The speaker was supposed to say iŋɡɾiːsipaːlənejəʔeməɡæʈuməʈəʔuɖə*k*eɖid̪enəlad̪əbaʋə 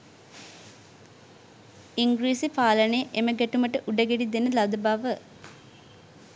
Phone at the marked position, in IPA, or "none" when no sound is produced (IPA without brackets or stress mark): ɡ